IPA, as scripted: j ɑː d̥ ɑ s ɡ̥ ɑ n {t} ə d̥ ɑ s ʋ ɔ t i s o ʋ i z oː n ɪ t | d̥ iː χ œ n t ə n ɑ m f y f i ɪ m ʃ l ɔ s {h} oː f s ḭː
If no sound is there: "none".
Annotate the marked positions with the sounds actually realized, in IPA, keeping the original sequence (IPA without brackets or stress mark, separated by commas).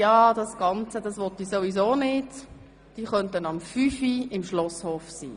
t͡s, h